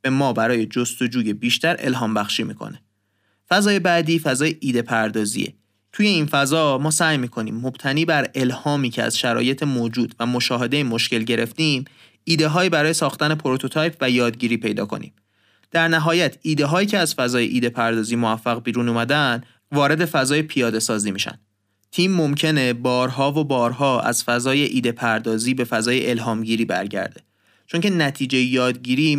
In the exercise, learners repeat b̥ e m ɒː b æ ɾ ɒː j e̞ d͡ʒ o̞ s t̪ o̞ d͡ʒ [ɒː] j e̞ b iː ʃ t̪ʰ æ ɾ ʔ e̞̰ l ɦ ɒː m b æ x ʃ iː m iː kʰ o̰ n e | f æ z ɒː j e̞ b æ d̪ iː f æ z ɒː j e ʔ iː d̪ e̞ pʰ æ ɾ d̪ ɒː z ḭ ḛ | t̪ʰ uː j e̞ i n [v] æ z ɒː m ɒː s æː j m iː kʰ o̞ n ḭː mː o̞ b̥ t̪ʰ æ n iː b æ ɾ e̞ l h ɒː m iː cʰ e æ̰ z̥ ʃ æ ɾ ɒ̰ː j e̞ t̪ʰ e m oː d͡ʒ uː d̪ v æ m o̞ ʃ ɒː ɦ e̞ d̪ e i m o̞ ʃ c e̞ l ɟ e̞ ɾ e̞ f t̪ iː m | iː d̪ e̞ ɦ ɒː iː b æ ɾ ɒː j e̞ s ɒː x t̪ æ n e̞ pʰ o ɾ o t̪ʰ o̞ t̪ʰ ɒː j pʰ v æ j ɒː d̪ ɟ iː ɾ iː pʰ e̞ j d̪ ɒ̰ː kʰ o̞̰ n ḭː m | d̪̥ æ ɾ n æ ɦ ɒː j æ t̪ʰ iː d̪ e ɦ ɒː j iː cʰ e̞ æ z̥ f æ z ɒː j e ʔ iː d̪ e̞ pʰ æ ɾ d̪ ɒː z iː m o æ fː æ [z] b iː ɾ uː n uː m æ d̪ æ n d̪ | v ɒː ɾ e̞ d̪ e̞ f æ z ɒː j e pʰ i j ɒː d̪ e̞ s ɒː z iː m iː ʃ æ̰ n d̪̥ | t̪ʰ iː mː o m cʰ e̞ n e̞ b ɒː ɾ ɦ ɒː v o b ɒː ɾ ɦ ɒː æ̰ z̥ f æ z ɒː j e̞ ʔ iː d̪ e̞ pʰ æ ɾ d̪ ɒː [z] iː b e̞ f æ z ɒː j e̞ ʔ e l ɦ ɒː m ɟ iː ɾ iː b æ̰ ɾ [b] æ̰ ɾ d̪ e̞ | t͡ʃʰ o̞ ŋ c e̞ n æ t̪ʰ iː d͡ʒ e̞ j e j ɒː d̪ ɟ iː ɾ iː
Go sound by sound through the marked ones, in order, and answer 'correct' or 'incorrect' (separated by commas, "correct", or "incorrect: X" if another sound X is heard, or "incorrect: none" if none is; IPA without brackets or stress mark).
incorrect: uː, incorrect: f, incorrect: ɣ, correct, incorrect: ɟ